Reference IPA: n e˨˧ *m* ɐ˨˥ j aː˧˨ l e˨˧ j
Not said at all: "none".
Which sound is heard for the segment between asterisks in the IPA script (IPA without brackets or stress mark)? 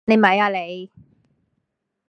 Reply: m